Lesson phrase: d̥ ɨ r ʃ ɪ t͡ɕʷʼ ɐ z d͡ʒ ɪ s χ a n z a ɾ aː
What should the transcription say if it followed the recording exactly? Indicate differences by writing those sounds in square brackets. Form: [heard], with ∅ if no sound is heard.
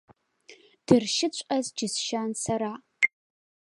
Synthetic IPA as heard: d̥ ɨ r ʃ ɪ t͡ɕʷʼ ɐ z d͡ʒ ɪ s [ʃ] a n [s] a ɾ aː